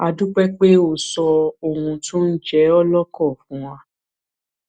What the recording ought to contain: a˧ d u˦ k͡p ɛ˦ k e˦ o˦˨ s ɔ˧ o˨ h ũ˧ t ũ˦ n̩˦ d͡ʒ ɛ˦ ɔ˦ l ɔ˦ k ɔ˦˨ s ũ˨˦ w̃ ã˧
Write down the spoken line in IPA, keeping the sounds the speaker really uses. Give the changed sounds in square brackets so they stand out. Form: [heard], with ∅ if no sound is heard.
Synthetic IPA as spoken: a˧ d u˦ k͡p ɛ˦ [k͡p] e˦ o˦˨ s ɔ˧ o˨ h ũ˧ t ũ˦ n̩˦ d͡ʒ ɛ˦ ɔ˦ l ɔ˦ k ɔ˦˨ [f] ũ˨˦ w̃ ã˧